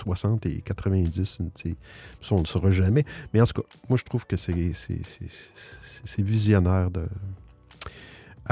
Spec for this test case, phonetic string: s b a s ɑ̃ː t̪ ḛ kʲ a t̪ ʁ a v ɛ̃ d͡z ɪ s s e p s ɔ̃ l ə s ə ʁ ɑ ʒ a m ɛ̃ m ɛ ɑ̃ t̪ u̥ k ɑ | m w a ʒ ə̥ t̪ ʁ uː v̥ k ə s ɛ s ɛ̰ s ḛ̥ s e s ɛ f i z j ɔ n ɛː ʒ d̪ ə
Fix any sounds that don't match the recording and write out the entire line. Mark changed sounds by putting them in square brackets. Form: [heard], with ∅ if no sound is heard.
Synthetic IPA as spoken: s [w] a s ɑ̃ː t̪ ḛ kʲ a t̪ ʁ [ə] v ɛ̃ d͡z ɪ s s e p s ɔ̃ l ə s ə ʁ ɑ ʒ a m [ɛ] m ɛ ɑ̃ t̪ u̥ k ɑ | m w a ʒ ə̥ t̪ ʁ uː v̥ k ə s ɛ s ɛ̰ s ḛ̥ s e s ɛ [v] i z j ɔ n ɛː [ʁ] d̪ ə